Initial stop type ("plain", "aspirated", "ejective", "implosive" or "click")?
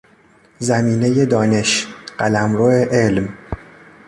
plain